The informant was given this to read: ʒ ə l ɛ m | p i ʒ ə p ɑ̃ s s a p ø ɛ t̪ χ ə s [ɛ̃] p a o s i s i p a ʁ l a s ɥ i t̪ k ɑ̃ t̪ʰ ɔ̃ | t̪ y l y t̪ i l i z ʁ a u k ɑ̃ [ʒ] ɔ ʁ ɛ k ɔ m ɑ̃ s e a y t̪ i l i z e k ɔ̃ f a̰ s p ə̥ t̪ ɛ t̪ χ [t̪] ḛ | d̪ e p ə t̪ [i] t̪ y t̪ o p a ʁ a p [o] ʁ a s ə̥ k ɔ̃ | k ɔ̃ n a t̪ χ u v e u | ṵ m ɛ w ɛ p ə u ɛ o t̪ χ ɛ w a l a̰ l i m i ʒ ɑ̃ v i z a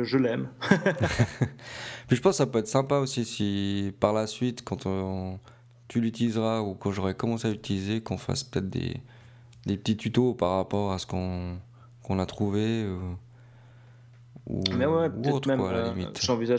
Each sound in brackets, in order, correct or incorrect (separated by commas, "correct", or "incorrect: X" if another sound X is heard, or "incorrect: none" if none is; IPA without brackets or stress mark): correct, correct, incorrect: d̪, correct, incorrect: ɔ